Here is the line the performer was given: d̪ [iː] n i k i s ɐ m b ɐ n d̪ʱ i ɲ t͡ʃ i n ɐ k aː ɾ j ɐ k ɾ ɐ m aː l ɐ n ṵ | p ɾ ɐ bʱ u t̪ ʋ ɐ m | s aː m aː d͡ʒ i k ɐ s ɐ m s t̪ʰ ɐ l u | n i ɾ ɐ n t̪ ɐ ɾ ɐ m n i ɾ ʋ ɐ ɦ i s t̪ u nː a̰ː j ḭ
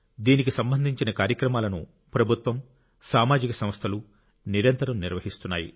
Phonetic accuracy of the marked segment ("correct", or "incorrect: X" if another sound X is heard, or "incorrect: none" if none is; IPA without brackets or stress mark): correct